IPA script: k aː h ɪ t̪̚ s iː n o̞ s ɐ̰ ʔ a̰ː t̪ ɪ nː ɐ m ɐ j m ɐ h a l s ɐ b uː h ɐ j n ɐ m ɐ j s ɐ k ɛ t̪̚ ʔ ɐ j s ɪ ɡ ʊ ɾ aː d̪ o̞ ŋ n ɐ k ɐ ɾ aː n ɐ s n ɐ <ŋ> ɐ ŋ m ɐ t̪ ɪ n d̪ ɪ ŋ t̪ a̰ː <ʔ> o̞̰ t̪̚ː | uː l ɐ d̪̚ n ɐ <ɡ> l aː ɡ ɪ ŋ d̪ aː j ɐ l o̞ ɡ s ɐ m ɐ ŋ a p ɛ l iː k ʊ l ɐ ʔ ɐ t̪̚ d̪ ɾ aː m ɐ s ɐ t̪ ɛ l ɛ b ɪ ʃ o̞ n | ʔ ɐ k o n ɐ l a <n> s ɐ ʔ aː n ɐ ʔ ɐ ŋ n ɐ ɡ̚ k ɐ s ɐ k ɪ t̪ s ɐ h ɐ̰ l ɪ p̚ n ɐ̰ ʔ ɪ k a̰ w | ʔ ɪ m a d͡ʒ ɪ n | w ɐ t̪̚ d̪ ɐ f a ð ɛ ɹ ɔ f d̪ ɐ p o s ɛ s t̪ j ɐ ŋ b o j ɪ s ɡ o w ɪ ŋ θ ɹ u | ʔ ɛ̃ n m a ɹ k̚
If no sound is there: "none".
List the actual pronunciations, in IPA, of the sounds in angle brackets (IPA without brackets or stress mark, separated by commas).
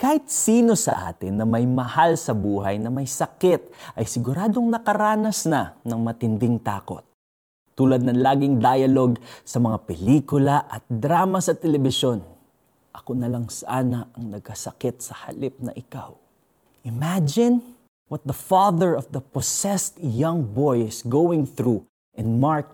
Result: n, k, ŋ, ŋ